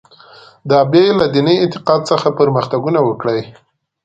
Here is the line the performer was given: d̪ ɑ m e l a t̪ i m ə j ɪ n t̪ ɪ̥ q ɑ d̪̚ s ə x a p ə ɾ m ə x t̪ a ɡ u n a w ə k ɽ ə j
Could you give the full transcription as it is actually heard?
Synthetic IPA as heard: d̪ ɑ b e l a d̪ i n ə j ɪ n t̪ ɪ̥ q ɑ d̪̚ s ə x a p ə ɾ m ə x t̪ a ɡ u n a w ə k ɽ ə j